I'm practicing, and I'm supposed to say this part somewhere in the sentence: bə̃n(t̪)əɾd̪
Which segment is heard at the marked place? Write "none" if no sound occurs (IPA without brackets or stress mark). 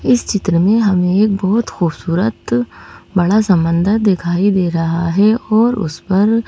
d̪